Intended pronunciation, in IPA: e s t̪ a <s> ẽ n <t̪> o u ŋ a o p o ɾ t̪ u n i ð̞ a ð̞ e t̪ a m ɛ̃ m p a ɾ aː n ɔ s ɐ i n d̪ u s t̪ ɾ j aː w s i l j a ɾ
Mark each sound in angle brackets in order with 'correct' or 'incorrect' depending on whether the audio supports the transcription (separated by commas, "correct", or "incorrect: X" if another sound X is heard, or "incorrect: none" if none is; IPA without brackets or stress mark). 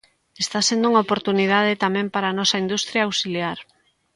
correct, incorrect: d̪